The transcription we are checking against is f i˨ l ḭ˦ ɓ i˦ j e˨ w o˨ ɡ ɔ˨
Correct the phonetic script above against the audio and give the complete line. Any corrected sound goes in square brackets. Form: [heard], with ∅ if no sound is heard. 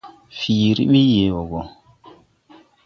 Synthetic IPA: f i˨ [ɾ] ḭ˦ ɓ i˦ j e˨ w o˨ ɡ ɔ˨